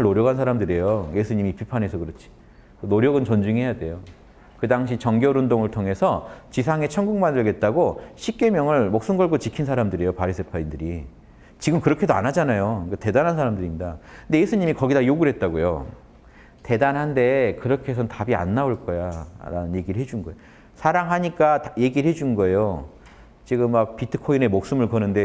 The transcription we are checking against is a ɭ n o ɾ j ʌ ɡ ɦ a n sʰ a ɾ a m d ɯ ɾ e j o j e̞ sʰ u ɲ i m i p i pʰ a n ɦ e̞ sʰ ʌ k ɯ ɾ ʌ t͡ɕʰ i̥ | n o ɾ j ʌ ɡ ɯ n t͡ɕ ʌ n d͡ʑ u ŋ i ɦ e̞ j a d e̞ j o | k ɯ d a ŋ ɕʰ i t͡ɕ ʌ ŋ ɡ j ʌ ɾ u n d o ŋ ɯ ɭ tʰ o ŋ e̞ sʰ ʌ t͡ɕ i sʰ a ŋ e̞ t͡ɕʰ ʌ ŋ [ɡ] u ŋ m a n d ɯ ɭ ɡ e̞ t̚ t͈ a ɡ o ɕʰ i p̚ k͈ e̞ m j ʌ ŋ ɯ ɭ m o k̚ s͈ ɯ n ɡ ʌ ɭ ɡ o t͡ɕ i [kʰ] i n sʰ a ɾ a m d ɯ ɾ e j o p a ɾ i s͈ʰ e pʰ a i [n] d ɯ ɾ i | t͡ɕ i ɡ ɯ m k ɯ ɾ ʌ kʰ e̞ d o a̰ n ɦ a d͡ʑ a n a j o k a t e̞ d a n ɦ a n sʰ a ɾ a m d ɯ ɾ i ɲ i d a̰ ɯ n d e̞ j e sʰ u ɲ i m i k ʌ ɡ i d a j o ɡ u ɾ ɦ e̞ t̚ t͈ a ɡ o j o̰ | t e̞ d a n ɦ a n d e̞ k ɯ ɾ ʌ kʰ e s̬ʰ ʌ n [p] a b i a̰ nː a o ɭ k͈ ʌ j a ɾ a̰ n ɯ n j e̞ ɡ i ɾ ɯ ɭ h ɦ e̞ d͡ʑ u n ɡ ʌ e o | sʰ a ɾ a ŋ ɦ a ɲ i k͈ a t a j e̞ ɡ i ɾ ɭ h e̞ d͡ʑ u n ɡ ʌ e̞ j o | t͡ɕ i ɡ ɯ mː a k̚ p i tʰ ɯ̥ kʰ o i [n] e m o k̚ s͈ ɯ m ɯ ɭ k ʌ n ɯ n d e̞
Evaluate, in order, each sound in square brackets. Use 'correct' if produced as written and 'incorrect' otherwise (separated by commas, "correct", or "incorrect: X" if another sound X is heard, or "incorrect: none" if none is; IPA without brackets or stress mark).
correct, correct, correct, incorrect: t, correct